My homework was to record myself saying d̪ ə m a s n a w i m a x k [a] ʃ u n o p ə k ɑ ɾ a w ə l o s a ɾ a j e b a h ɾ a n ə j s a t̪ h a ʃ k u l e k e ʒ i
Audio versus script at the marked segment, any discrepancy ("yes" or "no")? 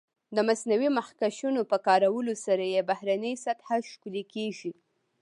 no